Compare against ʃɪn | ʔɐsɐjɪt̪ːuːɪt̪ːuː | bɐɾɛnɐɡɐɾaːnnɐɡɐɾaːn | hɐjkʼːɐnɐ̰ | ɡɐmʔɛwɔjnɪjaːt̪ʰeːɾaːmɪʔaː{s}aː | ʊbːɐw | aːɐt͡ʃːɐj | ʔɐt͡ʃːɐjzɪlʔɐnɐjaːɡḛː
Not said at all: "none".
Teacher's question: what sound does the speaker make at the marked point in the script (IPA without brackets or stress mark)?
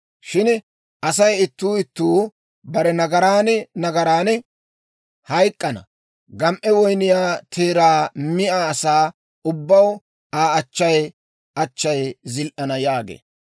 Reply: s